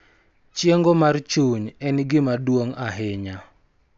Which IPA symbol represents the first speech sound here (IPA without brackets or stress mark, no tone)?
t͡ʃ